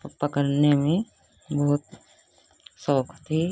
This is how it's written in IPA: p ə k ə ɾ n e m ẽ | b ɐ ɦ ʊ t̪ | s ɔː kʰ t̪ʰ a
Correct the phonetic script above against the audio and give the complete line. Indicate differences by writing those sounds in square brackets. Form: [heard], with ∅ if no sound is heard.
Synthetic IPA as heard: p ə k ə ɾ n e m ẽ | b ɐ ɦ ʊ t̪ | s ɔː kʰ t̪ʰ [i]